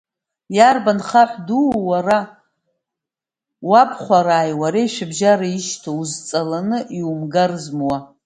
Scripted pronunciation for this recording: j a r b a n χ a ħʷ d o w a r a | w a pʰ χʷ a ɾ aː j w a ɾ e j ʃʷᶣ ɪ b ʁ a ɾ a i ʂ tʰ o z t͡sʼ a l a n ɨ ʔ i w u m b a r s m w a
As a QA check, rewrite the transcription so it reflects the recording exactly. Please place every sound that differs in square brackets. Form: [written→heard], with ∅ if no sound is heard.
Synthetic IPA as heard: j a r b a n χ a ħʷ d [o→u] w a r a | w a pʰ χʷ a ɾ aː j w a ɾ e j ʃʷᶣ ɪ b [ʁ→ʒ] a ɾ a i [ʂ→ʃ] tʰ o z t͡sʼ a l a n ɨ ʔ i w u m [b→ɡ] a r [s→z] m w a